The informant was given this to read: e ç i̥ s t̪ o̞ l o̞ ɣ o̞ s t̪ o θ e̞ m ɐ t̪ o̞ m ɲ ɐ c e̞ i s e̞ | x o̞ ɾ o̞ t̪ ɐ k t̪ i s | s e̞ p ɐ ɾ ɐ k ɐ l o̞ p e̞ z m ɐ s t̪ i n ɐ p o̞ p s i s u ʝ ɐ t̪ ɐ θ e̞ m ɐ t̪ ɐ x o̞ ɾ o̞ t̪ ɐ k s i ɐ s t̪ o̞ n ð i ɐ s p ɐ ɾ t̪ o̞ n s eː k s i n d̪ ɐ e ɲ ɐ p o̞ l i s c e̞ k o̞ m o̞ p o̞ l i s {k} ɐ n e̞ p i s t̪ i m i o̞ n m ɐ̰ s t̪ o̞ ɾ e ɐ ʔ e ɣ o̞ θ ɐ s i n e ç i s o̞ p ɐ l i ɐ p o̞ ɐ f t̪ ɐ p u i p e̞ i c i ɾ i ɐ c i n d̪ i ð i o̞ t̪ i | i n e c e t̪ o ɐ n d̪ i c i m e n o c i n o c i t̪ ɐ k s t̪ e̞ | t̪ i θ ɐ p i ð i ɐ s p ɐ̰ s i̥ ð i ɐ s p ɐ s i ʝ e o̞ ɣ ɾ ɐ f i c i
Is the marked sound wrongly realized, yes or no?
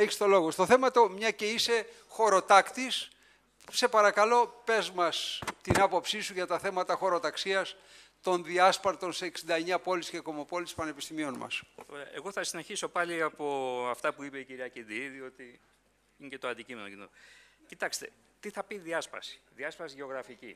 yes